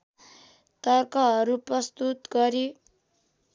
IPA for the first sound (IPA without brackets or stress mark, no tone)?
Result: t̪